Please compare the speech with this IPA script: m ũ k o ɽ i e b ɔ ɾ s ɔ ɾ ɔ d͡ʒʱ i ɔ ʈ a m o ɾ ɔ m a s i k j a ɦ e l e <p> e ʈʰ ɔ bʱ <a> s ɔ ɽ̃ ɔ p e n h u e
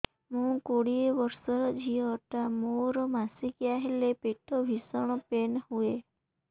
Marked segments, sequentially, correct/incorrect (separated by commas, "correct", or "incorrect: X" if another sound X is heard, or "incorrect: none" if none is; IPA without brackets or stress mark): correct, incorrect: i